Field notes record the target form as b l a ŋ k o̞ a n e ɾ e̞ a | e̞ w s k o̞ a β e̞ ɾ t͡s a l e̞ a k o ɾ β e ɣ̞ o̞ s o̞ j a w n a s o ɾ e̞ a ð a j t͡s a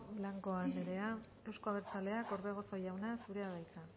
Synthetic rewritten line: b l a ŋ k o̞ a n e ɾ e̞ a | e̞ w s k o̞ a β e̞ ɾ t͡s a l e̞ a k o ɾ β e ɣ̞ o̞ s o̞ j a w n a s u ɾ e̞ a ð a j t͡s a